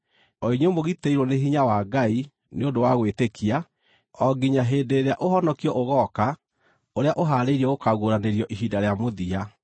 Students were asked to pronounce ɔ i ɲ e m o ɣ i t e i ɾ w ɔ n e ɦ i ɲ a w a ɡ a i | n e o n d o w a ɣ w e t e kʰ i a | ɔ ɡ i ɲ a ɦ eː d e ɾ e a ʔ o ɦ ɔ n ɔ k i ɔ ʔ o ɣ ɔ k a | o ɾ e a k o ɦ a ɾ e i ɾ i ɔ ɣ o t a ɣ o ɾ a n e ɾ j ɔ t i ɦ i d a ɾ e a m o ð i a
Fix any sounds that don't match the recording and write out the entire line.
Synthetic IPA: ɔ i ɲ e m o ɣ i t e i ɾ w ɔ n e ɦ i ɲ a w a ɡ a i | n e o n d o w a ɣ w e t e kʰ i a | ɔ ɡ i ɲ a ɦ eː d e ɾ e a ʔ o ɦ ɔ n ɔ k i ɔ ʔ o ɣ ɔ k a | o ɾ e a ʔ o ɦ a ɾ e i ɾ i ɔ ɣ o k a ɣ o ɾ a n e ɾ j ɔ ʔ i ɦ i d a ɾ e a m o ð i a

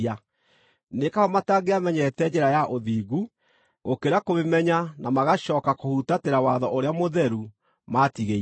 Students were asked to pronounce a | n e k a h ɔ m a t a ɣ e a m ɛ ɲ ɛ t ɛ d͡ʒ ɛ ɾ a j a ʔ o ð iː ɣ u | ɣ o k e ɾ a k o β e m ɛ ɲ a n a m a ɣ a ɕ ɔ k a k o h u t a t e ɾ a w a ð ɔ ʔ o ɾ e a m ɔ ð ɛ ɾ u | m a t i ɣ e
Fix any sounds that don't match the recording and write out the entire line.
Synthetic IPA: a | n e k a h ɔ m a t a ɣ e a m ɛ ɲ ɛ t ɛ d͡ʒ ɛ ɾ a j a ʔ o ð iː ɣ u | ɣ o k e ɾ a k o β e m ɛ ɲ a n a m a ɣ a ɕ ɔ k a k o h u t a t e ɾ a w a ð ɔ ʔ o ɾ e a m o ð ɛ ɾ u | m a t i ɣ e

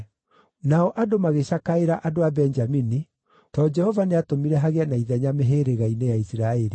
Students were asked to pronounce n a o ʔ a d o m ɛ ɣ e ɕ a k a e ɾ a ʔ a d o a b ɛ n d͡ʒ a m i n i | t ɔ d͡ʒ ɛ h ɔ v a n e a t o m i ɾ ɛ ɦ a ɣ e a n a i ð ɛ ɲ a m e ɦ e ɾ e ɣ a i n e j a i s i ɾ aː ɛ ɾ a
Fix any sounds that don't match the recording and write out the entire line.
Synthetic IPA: n a ɔ ʔ a d o m a ɣ e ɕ a k a e ɾ a ʔ a d o a b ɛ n d͡ʒ a m i n i | t ɔ d͡ʒ ɛ h ɔ v a n e a t o m i ɾ ɛ ɦ a ɣ e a n a i ð ɛ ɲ a m e ɦ e ɾ e ɣ a i n e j a i s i ɾ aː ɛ ɾ i

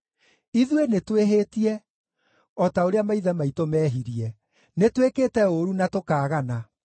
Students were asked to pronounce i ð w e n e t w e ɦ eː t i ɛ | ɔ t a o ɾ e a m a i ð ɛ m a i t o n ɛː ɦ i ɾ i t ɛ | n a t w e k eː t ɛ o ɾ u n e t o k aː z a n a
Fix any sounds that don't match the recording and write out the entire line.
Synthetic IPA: i ð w e n e t w e ɦ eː t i ɛ | ɔ t a o ɾ e a m a i ð ɛ m a i t o m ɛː ɦ i ɾ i ɛ | n e t w e k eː t ɛ o ɾ u n a t o k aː ɣ a n a

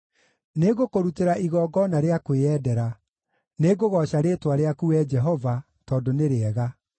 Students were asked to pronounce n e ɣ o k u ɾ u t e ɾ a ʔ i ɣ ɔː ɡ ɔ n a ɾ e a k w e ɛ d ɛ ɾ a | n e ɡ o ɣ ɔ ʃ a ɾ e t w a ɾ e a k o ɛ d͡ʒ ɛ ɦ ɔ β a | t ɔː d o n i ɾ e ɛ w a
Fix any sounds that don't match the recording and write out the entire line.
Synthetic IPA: n e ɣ o k o ɾ u t e ɾ a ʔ i ɣ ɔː ɡ ɔ n a ɾ e a k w e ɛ d ɛ ɾ a | n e ɡ o ɣ ɔ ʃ a ɾ e t w a ɾ e a k u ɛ d͡ʒ ɛ ɦ ɔ v a | t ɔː d o n e ɾ e ɛ ɣ a

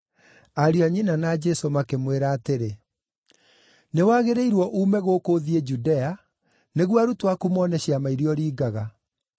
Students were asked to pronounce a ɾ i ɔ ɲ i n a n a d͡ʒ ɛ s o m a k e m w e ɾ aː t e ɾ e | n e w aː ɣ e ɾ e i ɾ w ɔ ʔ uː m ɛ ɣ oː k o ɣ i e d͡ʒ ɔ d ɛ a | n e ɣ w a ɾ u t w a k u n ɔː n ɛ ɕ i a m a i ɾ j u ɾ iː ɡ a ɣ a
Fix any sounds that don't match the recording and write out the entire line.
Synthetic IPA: a ɾ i ɔ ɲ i n a n a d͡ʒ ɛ s o m a k e m w e ɾ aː t e ɾ e | n e w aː ɣ e ɾ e i ɾ w ɔ ʔ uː m ɛ ɣ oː k o ð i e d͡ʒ u d ɛ a | n e ɣ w a ɾ u t w a k u m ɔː n ɛ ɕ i a m a i ɾ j ɔ ɾ iː ɡ a ɣ a

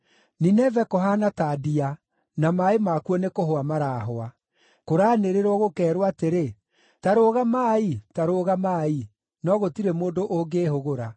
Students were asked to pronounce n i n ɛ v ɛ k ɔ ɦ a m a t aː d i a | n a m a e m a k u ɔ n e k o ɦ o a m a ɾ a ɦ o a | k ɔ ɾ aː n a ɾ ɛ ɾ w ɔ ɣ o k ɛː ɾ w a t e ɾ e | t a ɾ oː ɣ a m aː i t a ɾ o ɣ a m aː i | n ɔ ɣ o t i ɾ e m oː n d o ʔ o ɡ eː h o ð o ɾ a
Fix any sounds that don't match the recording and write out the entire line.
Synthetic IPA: n i n ɛ v ɛ k ɔ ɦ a n a t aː d i a | n a m a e m a k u ɔ n e k o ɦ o a m a ɾ a ɦ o a | k o ɾ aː n e ɾ e ɾ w ɔ ɣ o k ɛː ɾ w a t e ɾ e | t a ɾ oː ɣ a m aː i t a ɾ o ɣ a m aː i | n ɔ ɣ o t i ɾ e m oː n d o ʔ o ɡ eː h o ɣ o ɾ a

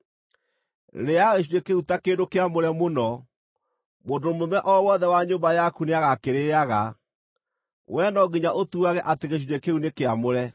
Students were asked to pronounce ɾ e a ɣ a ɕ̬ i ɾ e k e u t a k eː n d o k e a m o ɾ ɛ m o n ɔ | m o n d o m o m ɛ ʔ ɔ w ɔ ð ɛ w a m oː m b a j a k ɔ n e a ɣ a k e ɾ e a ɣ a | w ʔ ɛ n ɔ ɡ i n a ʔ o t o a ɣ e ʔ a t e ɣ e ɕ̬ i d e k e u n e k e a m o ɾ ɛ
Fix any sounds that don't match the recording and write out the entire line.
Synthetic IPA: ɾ e a ɣ e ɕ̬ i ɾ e k e u t a k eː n d o k e a m o ɾ ɛ m o n ɔ | m o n d o m o m ɛ ʔ ɔ w ɔ ð ɛ w a ɲ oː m b a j a k u n e a ɣ a k e ɾ e a ɣ a | w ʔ ɛ n ɔ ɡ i ɲ a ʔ o t u a ɣ ɛ ʔ a t e ɣ e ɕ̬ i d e k e u n e k e a m o ɾ ɛ

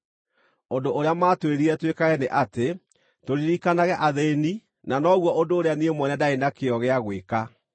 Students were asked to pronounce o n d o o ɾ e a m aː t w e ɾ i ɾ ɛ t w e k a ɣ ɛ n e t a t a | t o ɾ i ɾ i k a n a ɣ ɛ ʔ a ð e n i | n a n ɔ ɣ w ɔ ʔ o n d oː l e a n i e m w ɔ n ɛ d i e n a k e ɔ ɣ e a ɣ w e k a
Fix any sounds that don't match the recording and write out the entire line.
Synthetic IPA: o n d o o ɾ e a m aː t w e ɾ i ɾ ɛ t w e k a ɣ ɛ n e ʔ a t e | t o ɾ i ɾ i k a n a ɣ ɛ ʔ a ð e n i | n a n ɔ ɣ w ɔ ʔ o n d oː ɾ e a n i e m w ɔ n ɛ d a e n a k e ɔ ɣ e a ɣ w e k a

